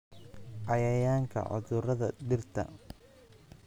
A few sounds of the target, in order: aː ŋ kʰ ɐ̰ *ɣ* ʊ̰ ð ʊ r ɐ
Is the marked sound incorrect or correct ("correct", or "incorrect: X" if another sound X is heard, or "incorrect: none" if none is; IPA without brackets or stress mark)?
incorrect: ʕ